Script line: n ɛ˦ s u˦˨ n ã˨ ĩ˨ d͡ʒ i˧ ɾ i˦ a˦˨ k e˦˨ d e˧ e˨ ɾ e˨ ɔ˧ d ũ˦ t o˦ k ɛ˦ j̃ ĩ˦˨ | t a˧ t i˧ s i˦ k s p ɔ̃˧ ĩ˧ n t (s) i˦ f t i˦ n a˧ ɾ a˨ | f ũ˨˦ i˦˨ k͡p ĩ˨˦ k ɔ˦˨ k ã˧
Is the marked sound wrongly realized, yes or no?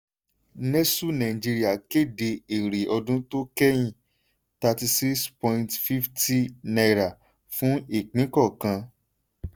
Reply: yes